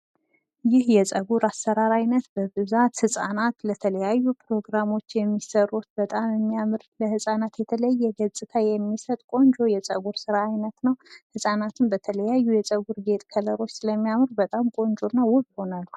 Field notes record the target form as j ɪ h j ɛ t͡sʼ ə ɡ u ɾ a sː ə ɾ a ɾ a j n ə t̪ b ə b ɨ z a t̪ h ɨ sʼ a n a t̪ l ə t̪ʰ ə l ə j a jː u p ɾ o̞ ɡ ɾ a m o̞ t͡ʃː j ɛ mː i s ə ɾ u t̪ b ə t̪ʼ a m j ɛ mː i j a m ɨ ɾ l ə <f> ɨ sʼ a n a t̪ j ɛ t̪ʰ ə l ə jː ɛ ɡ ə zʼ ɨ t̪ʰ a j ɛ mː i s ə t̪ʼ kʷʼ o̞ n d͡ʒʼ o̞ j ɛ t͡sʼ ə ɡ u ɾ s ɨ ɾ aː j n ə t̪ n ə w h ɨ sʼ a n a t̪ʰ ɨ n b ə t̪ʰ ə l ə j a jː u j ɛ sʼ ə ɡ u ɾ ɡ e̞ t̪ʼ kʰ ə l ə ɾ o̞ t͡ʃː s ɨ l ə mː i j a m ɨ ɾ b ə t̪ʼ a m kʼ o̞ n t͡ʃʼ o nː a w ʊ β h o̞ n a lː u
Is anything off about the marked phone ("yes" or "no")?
yes